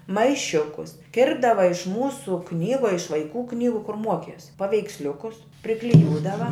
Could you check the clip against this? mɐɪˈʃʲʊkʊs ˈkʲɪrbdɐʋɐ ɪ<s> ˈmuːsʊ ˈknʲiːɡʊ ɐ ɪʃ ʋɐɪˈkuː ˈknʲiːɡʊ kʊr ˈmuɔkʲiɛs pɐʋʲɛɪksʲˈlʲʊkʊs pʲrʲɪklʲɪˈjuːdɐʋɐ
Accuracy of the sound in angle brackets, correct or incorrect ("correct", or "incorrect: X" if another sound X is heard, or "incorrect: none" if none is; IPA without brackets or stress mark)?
incorrect: ʃ